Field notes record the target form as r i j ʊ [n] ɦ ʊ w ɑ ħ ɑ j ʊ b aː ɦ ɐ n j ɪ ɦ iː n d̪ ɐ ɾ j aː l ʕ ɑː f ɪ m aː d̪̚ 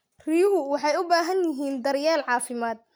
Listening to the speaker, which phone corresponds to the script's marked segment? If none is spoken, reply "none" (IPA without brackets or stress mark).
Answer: none